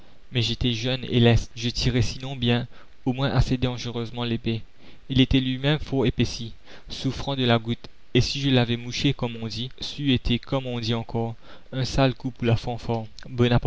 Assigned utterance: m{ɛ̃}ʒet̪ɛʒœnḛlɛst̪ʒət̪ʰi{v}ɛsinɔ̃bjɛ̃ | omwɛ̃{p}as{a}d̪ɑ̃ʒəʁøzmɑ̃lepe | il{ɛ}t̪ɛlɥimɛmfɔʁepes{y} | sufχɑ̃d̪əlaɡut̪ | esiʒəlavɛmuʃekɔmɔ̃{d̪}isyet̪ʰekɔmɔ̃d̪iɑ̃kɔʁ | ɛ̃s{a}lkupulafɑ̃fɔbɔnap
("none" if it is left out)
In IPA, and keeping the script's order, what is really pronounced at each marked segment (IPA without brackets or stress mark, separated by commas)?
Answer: ɛ, ʁ, ʔ, e, e, i, d̪, a